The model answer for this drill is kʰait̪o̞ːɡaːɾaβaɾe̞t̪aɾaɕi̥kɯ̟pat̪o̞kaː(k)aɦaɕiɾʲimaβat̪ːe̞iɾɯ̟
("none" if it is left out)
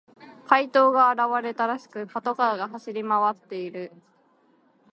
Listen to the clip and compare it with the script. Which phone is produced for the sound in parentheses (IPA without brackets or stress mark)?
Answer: ɡ